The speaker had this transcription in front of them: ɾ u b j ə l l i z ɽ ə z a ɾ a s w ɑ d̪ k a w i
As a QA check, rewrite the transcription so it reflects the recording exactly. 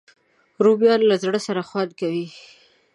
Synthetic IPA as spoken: ɾ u b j ɑ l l a z ɽ ə s a ɾ a x w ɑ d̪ k a w i